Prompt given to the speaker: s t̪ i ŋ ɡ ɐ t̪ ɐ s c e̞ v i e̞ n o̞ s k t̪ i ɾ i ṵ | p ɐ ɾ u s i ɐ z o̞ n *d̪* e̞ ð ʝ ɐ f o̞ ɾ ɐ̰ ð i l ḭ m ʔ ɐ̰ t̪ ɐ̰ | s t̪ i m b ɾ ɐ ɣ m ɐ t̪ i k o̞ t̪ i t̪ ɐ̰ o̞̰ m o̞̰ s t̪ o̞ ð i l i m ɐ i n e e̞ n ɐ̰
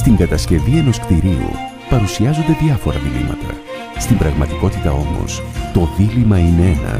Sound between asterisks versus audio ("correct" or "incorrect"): correct